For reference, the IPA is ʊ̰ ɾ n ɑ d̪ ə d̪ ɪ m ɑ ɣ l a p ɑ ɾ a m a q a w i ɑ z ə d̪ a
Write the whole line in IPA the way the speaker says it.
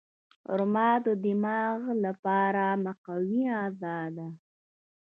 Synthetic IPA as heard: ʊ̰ ɾ m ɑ d̪ ə d̪ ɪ m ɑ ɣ l a p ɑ ɾ a m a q a w i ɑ z ɑ d̪ a

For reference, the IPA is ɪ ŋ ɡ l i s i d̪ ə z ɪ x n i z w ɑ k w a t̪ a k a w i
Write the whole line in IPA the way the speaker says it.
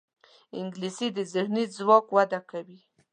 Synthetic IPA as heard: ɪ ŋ ɡ l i s i d̪ ə z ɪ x n i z w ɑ k w a d̪ a k a w i

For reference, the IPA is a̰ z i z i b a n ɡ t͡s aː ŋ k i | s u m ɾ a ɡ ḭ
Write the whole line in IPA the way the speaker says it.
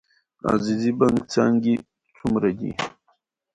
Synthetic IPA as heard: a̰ z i z i b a ŋ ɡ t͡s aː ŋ ɡ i | t͡s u m ɾ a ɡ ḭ

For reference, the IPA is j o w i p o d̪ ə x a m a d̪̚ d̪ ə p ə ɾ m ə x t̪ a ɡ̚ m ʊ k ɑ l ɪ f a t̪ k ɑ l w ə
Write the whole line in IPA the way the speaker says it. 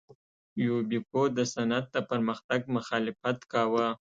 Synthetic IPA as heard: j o b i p o d̪ ə s a n a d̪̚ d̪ ə p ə ɾ m ə x t̪ a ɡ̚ m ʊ x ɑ l ɪ f a t̪ k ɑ w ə

